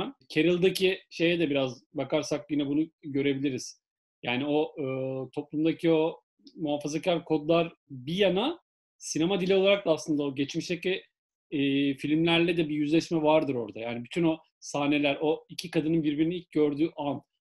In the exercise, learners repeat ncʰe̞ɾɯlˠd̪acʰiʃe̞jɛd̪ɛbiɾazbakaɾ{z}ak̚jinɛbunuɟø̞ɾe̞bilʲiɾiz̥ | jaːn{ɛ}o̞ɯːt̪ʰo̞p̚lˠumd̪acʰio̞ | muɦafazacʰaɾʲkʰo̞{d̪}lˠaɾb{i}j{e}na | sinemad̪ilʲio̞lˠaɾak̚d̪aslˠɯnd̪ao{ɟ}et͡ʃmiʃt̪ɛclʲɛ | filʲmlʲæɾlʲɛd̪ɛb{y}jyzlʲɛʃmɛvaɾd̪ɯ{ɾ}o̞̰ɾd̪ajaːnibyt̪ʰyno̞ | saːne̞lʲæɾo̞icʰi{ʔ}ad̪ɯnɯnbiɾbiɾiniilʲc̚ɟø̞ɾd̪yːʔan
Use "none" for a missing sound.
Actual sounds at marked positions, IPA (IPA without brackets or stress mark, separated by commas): s, i, d̪, i, a, ɟ, i, ɾ, k